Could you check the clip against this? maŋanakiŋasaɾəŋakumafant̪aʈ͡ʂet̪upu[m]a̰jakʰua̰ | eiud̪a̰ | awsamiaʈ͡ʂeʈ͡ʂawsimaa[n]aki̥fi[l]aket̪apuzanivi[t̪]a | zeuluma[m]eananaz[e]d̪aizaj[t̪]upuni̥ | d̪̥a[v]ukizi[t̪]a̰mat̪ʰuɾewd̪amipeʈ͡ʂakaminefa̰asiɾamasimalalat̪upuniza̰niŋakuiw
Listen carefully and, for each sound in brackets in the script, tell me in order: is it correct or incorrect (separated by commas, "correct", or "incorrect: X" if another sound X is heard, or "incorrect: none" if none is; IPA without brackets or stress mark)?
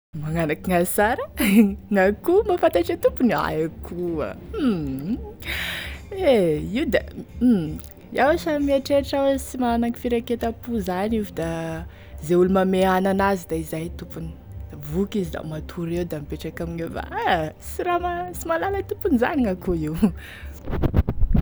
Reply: incorrect: n, correct, incorrect: ɾ, incorrect: d̪, correct, incorrect: i, correct, correct, incorrect: d̪